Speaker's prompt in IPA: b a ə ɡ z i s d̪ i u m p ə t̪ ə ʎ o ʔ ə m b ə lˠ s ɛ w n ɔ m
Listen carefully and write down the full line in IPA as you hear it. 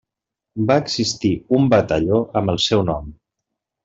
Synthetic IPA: b a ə ɡ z i s t̪ i u m b ə t̪ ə ʎ o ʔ ə m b ə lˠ s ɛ w n ɔ m